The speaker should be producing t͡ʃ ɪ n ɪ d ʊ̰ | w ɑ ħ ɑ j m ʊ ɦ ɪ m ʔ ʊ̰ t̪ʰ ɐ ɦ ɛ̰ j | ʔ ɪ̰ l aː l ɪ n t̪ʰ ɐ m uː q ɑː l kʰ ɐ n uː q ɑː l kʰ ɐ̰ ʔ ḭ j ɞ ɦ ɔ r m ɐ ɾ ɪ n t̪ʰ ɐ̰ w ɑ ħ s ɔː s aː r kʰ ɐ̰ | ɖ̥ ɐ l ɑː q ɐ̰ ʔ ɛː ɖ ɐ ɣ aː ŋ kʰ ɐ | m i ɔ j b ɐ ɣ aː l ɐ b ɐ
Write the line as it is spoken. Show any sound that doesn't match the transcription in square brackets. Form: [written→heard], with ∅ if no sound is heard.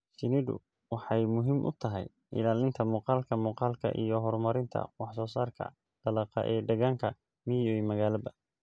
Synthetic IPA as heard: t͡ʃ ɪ n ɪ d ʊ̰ | w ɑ ħ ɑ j m ʊ ɦ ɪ m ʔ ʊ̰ t̪ʰ ɐ ɦ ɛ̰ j | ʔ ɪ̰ l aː l ɪ n t̪ʰ ɐ m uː q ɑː l kʰ ɐ [n→m] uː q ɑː l kʰ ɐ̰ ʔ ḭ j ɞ ɦ ɔ r m ɐ ɾ ɪ n t̪ʰ ɐ̰ w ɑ ħ s ɔː s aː r kʰ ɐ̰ | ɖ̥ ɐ l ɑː q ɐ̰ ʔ ɛː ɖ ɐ ɣ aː ŋ kʰ ɐ | m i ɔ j [b→m] ɐ ɣ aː l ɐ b ɐ